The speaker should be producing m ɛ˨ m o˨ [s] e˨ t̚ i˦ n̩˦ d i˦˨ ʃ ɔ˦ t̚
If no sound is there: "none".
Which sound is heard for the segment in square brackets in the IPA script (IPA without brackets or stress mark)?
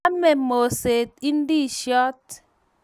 s